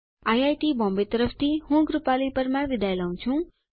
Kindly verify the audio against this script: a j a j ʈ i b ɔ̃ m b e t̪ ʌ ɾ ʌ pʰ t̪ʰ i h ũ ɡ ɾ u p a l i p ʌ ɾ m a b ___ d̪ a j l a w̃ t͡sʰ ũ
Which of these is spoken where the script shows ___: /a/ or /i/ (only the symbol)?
i